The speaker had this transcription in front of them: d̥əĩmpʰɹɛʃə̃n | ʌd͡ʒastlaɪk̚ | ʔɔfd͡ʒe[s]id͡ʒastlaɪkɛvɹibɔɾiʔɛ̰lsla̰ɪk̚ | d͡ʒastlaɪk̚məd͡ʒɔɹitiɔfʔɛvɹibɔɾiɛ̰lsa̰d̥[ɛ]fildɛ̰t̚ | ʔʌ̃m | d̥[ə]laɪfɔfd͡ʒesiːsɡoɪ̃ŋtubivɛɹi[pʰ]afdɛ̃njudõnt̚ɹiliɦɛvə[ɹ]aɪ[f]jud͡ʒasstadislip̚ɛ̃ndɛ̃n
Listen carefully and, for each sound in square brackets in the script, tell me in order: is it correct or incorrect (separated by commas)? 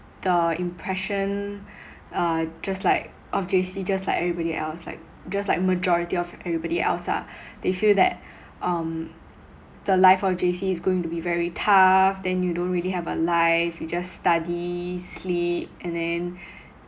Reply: correct, incorrect, correct, incorrect, incorrect, correct